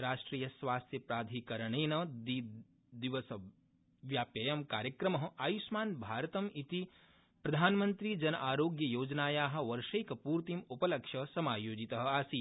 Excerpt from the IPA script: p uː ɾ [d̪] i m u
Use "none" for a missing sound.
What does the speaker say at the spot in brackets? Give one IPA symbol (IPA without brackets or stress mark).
t̪